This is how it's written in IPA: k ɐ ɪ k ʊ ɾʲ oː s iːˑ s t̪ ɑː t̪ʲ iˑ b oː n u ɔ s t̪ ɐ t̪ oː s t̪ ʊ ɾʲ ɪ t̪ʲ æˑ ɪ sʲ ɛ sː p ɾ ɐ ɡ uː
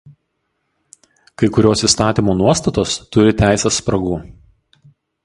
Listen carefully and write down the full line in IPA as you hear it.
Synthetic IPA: k ɐ ɪ k ʊ ɾʲ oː s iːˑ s t̪ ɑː t̪ʲ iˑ m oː n u ɔ s t̪ ɐ t̪ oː s t̪ ʊ ɾʲ ɪ t̪ʲ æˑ ɪ sʲ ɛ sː p ɾ ɐ ɡ uː